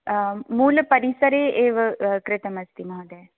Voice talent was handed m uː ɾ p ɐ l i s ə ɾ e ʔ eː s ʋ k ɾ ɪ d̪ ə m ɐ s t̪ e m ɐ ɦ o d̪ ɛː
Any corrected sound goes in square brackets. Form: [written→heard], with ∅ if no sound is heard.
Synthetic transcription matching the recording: m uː [ɾ→l] p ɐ [l→ɾ] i s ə ɾ e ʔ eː [s→∅] ʋ k ɾ ɪ [d̪→t̪] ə m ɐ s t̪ [e→i] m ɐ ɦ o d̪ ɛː